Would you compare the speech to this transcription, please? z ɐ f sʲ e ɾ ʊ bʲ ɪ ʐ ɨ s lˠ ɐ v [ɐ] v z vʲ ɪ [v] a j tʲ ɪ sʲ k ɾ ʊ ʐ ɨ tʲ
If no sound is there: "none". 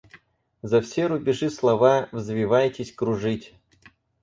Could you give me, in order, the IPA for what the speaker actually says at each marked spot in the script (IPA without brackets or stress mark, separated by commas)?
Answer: a, v